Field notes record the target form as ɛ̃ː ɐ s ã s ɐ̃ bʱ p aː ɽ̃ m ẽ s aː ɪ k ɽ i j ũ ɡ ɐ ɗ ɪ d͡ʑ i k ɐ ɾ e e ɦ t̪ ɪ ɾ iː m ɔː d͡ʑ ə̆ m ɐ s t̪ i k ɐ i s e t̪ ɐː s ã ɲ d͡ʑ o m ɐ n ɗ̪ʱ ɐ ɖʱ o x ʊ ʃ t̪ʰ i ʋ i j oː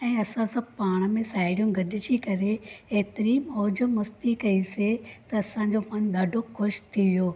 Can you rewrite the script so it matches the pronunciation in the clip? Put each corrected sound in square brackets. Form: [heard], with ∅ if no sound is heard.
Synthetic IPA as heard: ɛ̃ː ɐ s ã s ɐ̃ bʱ p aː ɽ̃ m ẽ s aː ɪ [∅] ɽ i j ũ ɡ ɐ ɗ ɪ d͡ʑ i k ɐ ɾ e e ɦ t̪ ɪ ɾ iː m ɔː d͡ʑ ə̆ m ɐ s t̪ i k ɐ i s e t̪ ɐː s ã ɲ d͡ʑ o m ɐ n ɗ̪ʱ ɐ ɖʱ o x ʊ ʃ t̪ʰ i ʋ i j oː